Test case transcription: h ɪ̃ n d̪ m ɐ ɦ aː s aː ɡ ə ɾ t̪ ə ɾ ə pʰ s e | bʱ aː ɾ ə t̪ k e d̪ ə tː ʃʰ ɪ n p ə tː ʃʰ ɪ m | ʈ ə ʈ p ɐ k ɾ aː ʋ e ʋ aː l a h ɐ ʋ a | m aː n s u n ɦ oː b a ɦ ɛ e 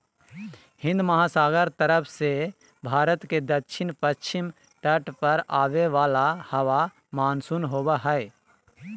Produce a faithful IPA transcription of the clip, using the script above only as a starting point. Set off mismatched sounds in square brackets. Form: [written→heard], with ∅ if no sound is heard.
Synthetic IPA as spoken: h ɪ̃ n d̪ m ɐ ɦ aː s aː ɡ ə ɾ t̪ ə ɾ ə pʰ s e | bʱ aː ɾ ə t̪ k e d̪ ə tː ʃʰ ɪ n p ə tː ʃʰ ɪ m | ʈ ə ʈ p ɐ [k→∅] ɾ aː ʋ e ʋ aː l a h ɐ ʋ a | m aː n s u n ɦ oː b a ɦ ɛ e